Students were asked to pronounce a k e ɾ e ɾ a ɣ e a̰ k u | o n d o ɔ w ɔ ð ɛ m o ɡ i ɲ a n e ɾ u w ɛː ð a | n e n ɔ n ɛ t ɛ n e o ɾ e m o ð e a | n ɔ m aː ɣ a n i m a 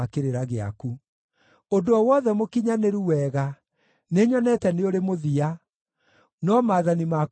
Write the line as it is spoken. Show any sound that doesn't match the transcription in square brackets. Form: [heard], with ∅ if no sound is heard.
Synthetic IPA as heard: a k e ɾ e ɾ a ɣ e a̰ k u | o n d o ɔ w ɔ ð ɛ m o [k] i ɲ a n e ɾ u w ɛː [ɣ] a | n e [ɲ] ɔ n ɛ t ɛ n e o ɾ e m o ð [i] a | n ɔ m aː [ð] a n i m a